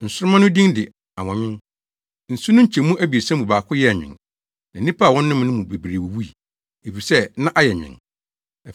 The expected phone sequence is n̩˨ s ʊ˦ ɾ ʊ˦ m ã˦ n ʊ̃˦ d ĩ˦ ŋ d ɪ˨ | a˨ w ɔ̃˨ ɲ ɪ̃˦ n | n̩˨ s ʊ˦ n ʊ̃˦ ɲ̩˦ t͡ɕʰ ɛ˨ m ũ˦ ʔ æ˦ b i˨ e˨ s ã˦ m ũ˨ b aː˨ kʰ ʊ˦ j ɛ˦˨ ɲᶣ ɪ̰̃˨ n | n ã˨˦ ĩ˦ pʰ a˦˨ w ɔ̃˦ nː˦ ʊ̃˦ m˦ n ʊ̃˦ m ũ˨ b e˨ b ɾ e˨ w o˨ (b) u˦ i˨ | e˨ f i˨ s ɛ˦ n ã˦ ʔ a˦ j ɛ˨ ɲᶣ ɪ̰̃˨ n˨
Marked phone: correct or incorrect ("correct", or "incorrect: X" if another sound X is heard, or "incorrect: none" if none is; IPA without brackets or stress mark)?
incorrect: w